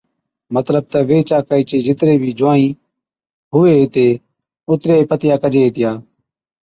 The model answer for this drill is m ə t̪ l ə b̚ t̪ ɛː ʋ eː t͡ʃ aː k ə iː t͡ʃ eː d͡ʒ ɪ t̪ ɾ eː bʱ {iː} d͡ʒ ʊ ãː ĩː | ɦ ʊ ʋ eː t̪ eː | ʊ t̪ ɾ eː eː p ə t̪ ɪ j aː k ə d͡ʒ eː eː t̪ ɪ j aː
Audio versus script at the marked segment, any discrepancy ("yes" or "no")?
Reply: no